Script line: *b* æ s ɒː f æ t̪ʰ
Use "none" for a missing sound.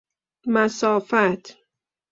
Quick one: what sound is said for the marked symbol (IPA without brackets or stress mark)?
m